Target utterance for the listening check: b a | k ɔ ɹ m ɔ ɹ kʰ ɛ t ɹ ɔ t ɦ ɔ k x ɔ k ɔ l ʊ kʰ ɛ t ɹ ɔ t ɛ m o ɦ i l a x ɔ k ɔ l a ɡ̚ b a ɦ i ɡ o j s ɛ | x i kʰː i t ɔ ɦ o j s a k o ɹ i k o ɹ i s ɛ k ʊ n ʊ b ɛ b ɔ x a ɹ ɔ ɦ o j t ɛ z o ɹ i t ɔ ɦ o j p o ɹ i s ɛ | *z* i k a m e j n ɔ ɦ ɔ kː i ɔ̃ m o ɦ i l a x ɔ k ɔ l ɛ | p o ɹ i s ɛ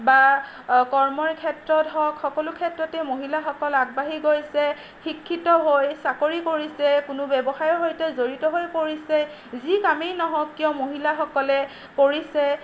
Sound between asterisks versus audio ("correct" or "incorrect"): correct